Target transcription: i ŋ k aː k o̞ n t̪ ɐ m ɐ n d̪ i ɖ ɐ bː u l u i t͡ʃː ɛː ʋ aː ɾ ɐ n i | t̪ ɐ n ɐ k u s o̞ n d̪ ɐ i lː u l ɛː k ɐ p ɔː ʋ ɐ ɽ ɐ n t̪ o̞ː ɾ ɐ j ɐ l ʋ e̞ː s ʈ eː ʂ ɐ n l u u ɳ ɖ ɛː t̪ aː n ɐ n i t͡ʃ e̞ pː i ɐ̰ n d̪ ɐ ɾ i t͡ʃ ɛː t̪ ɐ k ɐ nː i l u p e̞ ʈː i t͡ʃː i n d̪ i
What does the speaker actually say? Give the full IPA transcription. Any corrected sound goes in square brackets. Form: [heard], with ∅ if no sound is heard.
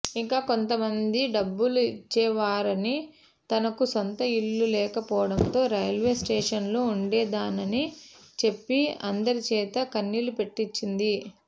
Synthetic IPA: i ŋ k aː k o̞ n t̪ ɐ m ɐ n d̪ i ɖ ɐ bː u l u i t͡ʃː ɛː ʋ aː ɾ ɐ n i | t̪ ɐ n ɐ k u s o̞ n [t̪] ɐ i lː u l ɛː k ɐ p ɔː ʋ ɐ ɽ ɐ n t̪ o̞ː ɾ ɐ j ɐ l ʋ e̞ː s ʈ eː ʂ ɐ n l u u ɳ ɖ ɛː [d̪] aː n ɐ n i t͡ʃ e̞ pː i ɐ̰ n d̪ ɐ ɾ i t͡ʃ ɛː t̪ ɐ k ɐ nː i l u p e̞ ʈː i t͡ʃː i n d̪ i